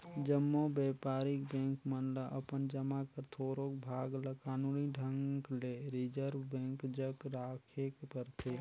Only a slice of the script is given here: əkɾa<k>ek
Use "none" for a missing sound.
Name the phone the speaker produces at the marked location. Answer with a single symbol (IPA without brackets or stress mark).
kʰ